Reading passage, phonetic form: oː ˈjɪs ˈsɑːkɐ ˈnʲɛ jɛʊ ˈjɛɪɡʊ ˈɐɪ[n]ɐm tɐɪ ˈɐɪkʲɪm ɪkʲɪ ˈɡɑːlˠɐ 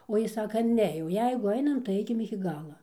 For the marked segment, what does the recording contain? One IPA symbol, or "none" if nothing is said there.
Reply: n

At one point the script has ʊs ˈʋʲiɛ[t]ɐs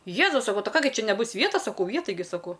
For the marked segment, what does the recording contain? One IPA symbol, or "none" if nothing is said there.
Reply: t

